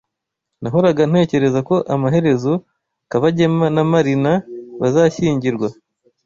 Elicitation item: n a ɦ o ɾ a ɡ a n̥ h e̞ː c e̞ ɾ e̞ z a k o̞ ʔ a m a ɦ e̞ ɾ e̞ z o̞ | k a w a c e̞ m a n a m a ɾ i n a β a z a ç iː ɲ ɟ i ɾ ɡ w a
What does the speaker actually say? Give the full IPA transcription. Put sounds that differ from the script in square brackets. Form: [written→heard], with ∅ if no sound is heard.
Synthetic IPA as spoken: n a ɦ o ɾ a ɡ a n̥ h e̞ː c e̞ ɾ e̞ z a k o̞ ʔ a m a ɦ e̞ ɾ e̞ z o̞ | k a [w→β] a [c→ɟ] e̞ m a n a m a ɾ i n a β a z a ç iː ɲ ɟ i ɾ ɡ w a